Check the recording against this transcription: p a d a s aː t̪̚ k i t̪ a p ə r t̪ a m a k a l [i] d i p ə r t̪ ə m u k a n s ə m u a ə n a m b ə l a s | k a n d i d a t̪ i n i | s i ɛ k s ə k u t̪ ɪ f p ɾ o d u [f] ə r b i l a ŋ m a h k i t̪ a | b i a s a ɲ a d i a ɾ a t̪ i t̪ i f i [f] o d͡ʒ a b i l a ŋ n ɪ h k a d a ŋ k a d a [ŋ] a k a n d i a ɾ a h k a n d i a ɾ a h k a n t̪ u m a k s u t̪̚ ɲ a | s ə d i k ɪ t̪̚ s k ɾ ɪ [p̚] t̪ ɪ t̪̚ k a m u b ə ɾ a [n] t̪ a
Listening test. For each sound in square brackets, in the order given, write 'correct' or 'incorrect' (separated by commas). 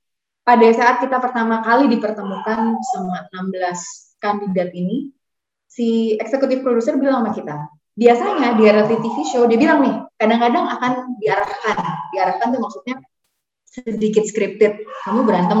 correct, incorrect, incorrect, correct, correct, correct